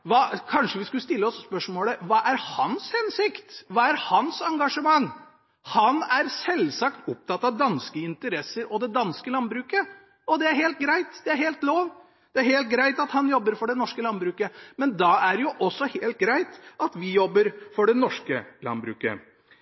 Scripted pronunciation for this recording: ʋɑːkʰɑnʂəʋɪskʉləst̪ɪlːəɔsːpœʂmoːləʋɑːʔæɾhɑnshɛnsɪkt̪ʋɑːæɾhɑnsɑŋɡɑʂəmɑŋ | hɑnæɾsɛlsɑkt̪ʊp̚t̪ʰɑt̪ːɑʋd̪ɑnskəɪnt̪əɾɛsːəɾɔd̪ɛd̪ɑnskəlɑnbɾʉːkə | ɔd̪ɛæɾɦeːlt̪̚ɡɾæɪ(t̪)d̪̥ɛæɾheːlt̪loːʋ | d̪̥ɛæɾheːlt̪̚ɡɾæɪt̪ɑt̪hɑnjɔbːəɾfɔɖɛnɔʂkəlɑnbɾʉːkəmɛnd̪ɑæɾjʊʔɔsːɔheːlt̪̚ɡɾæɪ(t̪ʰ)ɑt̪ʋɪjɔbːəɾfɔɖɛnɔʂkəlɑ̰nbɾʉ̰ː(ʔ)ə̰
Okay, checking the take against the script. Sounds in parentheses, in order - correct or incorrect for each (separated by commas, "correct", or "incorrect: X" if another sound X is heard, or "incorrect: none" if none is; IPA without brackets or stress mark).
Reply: correct, incorrect: t̪, incorrect: k